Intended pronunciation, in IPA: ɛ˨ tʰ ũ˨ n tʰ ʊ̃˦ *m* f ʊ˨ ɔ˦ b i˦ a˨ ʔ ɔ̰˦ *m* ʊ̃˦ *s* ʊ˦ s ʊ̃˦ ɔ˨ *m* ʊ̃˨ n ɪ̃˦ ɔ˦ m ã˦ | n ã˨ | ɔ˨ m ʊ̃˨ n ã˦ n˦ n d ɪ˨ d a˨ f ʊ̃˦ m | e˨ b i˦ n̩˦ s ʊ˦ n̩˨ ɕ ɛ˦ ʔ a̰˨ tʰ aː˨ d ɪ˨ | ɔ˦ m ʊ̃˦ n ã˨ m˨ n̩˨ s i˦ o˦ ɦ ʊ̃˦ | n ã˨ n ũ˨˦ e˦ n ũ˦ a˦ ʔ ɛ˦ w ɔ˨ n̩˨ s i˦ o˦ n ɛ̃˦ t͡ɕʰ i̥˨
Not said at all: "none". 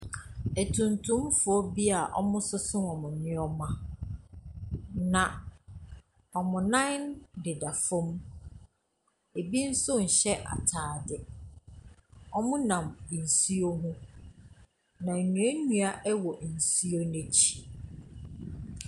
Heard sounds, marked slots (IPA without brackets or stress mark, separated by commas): m, m, s, m